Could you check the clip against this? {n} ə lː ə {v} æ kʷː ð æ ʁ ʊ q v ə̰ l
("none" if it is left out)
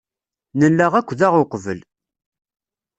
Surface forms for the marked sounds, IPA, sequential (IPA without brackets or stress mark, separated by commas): n, ʁ